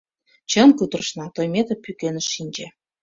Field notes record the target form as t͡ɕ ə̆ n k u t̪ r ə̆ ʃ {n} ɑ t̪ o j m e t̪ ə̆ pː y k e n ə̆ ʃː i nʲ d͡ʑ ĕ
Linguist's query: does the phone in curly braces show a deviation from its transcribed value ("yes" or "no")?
no